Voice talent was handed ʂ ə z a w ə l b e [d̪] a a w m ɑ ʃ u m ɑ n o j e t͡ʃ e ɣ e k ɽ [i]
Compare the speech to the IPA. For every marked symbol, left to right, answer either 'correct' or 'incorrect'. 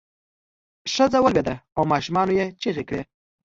correct, incorrect: e

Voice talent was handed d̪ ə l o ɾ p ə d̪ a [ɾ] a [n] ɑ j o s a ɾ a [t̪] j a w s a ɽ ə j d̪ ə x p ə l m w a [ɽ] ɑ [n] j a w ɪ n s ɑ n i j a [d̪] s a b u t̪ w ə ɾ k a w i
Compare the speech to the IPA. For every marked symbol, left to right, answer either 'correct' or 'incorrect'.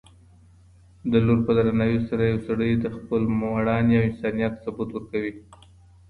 correct, correct, incorrect: none, correct, correct, incorrect: t̪

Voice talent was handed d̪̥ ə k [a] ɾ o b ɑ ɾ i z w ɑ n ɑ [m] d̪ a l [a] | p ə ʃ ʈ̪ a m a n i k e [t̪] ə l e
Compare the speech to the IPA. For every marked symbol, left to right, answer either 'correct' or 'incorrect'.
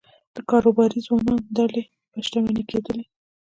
incorrect: ɑ, incorrect: n, incorrect: e, incorrect: d̪

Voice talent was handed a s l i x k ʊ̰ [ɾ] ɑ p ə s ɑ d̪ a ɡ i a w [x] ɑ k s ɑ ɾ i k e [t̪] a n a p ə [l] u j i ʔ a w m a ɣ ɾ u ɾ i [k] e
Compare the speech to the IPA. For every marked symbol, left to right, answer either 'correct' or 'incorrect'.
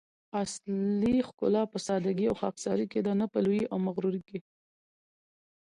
incorrect: l, correct, incorrect: d̪, correct, correct

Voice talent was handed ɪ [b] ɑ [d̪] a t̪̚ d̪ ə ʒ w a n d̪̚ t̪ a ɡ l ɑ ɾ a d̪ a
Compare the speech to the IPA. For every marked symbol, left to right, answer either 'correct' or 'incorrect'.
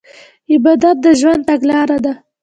correct, correct

